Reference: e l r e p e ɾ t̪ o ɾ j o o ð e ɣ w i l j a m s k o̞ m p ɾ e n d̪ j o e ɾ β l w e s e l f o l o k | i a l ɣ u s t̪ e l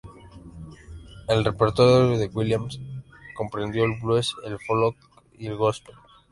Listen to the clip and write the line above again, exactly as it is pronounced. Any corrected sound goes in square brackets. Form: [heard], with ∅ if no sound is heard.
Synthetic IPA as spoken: e l r e p e ɾ t̪ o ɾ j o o ð e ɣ w i l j a m s k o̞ m p ɾ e n d̪ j o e [l] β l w e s e l f o l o k | i [e] l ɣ [o] s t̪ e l